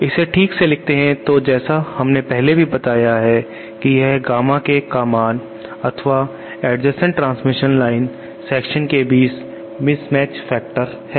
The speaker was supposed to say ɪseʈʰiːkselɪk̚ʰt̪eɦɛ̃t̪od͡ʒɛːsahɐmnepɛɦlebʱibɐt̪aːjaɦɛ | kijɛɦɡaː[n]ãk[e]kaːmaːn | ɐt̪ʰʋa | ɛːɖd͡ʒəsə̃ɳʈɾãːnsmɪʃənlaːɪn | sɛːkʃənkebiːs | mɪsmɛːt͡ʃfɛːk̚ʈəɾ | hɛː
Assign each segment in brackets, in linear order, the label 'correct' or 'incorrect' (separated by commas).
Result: incorrect, correct